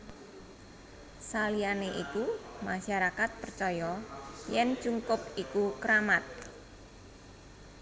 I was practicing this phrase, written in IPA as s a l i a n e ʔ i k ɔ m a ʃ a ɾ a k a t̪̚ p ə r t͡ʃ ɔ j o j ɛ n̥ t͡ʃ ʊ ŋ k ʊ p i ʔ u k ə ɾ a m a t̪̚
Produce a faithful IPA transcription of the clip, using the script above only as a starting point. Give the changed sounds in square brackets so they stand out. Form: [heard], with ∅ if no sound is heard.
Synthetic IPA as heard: s a l i a n e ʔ i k [u] m a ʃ a ɾ a k a t̪̚ p ə r t͡ʃ ɔ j [ɔ] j ɛ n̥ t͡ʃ [u] ŋ k ʊ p i [k] u k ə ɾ a m a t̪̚